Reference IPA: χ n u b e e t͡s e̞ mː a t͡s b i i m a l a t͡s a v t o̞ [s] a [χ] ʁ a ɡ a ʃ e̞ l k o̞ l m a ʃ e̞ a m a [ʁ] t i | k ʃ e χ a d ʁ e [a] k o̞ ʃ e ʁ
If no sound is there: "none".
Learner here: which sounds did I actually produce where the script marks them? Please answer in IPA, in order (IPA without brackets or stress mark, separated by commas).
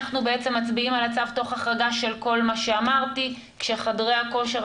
χ, χ, ʁ, a